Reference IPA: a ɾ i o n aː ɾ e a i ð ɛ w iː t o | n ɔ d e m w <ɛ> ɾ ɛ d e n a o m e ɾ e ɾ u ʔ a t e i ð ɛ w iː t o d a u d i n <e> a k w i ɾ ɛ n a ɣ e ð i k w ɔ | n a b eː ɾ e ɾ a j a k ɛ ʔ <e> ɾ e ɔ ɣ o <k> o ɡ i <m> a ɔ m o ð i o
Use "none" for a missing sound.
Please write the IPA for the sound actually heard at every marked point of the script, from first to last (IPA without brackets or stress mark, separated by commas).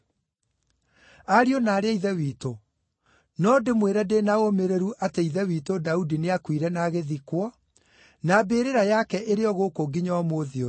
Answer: e, e, e, k, ɲ